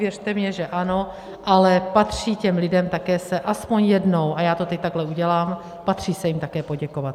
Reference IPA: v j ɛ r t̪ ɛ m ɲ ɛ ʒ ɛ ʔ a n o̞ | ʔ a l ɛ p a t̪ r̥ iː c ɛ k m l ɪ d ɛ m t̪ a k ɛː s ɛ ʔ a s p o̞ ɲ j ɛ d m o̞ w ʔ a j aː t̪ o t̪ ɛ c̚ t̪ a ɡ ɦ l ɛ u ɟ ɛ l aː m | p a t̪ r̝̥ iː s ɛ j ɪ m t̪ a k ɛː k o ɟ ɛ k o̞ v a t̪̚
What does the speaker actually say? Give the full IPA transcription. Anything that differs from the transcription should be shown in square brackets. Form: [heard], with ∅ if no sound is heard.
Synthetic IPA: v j ɛ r t̪ ɛ m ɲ ɛ ʒ ɛ ʔ a n o̞ | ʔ a l ɛ p a t̪ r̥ iː c ɛ [∅] m l ɪ d ɛ m t̪ a k ɛː s ɛ ʔ a s p o̞ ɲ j ɛ d [n] o̞ w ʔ a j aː t̪ o t̪ ɛ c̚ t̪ a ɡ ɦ l ɛ u ɟ ɛ l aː m | p a t̪ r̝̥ iː s ɛ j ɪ m t̪ a k ɛː [p] o ɟ ɛ k o̞ v a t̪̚

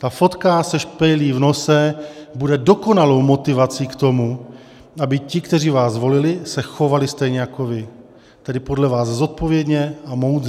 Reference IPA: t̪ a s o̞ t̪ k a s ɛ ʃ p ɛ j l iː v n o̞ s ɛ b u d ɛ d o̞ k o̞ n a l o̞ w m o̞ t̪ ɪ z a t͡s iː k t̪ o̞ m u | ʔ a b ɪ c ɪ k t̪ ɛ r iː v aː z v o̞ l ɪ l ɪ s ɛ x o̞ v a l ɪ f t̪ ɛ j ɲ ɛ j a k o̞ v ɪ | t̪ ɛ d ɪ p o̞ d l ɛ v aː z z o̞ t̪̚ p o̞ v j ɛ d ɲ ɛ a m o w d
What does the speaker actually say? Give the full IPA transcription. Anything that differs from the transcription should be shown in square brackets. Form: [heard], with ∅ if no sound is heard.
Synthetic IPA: t̪ a [f] o̞ t̪ k a s ɛ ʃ p ɛ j l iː v n o̞ s ɛ b u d ɛ d o̞ k o̞ n a l o̞ w m o̞ t̪ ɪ [v] a t͡s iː k t̪ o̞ m u | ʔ a b ɪ c ɪ k t̪ ɛ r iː v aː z v o̞ l ɪ l ɪ s ɛ x o̞ v a l ɪ [s] t̪ ɛ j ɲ ɛ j a k o̞ v ɪ | t̪ ɛ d ɪ p o̞ d l ɛ v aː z z o̞ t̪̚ p o̞ v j ɛ d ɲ ɛ a m o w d

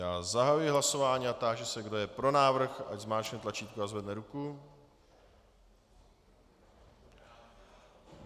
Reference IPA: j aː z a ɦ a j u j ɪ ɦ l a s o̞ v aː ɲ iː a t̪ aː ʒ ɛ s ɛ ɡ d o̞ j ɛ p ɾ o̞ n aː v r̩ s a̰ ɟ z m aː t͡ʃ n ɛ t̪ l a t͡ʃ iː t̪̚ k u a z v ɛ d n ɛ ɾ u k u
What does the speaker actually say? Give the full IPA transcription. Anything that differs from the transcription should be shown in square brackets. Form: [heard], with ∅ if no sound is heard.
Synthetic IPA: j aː z a ɦ a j u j ɪ ɦ l a s o̞ v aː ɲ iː a t̪ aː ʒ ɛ s ɛ ɡ d o̞ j ɛ p ɾ o̞ n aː v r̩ [x] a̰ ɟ z m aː t͡ʃ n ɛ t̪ l a t͡ʃ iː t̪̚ k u a z v ɛ d n ɛ ɾ u k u

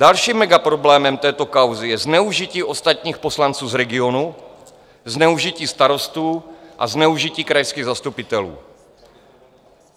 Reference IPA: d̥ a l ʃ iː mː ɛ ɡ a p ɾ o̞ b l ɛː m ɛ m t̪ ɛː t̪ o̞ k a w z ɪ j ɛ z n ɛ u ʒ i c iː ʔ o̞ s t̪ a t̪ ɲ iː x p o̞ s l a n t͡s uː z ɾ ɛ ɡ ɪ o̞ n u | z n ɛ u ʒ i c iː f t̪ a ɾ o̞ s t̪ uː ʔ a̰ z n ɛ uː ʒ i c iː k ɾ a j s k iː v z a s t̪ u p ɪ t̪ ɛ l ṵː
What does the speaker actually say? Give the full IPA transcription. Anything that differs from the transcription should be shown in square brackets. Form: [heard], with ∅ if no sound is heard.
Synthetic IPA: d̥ a l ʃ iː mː ɛ ɡ a p ɾ o̞ b l ɛː m ɛ m t̪ ɛː t̪ o̞ k a w z ɪ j ɛ z n ɛ u ʒ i c iː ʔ o̞ s t̪ a t̪ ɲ iː x p o̞ s l a n t͡s uː z ɾ ɛ ɡ ɪ o̞ n u | z n ɛ u ʒ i c iː [s] t̪ a ɾ o̞ s t̪ uː ʔ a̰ z n ɛ [u] ʒ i c iː k ɾ a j s k iː [ɣ] z a s t̪ u p ɪ t̪ ɛ l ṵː

